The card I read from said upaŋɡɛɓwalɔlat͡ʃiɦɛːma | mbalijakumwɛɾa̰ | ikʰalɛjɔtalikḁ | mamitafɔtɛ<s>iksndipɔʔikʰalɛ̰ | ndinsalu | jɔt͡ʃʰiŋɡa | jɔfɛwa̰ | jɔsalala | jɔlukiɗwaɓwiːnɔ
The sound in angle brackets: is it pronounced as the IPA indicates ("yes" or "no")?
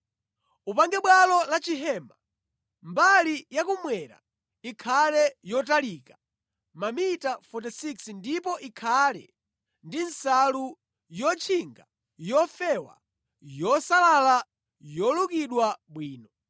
yes